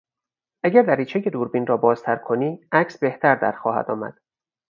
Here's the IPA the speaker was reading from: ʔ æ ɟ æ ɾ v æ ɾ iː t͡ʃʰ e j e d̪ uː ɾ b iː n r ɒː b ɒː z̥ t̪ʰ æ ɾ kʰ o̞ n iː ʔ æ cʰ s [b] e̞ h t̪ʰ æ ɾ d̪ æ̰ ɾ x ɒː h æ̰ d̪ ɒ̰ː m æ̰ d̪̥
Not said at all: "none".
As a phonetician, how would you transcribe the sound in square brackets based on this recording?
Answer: b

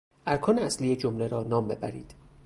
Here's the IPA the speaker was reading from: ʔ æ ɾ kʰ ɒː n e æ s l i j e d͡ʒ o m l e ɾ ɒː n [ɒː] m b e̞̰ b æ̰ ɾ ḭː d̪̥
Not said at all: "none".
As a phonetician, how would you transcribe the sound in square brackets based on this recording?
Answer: ɒː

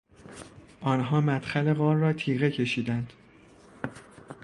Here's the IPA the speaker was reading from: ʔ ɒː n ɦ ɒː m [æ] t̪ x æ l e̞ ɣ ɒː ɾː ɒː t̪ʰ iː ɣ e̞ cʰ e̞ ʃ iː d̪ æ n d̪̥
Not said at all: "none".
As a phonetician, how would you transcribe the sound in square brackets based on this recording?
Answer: æ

